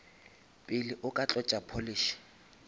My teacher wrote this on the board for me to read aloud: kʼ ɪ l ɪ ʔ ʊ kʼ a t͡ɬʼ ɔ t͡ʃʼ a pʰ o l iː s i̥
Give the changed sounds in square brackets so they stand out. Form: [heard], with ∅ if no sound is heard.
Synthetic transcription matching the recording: [pʼ] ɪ l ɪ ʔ ʊ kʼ a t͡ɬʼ ɔ t͡ʃʼ a pʰ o l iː [ʃ] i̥